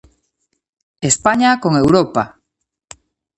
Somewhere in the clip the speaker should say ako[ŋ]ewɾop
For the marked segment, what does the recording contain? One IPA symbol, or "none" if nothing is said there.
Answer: ŋ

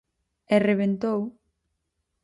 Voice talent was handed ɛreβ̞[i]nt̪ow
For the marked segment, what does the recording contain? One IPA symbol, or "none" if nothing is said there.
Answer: e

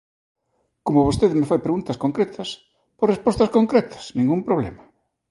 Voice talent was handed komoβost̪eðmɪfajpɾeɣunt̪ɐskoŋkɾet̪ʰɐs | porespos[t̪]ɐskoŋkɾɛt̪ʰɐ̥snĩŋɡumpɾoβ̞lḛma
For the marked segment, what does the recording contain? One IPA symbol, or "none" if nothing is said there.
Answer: t̪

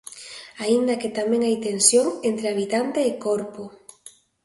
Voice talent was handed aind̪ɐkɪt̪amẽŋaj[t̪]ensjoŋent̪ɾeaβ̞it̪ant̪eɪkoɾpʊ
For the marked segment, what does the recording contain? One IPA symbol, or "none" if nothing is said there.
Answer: t̪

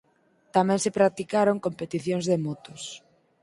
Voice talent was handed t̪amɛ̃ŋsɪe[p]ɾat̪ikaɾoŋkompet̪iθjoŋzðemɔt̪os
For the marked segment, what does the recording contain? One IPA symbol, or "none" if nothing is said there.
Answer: p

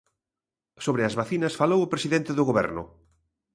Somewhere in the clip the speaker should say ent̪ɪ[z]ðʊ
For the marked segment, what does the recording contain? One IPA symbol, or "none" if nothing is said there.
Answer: none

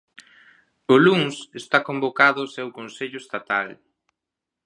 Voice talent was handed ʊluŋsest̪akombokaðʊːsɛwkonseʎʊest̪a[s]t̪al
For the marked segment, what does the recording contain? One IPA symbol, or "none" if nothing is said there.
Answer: none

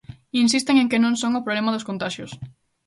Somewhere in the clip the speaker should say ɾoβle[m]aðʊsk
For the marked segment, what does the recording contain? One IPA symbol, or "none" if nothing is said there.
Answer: m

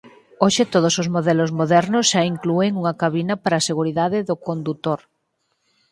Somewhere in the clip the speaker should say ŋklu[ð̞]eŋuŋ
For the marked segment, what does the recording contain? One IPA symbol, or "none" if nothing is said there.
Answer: none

